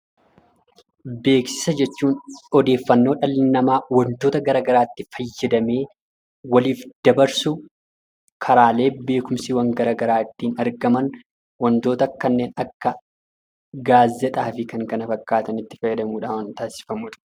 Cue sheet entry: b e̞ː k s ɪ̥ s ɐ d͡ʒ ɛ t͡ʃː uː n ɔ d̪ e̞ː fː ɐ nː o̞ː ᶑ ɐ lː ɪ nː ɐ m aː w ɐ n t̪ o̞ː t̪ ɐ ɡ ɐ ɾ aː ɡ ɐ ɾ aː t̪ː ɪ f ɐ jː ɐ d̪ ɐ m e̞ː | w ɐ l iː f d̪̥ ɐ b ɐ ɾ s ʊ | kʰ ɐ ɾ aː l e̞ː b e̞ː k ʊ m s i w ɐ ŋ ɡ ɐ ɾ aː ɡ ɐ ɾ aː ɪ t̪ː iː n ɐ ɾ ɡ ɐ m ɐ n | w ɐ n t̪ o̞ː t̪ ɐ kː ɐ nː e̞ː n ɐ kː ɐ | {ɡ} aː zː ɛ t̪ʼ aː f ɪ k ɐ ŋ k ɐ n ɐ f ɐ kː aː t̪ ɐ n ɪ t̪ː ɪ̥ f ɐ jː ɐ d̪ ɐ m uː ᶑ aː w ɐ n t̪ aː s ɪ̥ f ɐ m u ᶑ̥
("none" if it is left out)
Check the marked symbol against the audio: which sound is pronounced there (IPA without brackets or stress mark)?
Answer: ɡ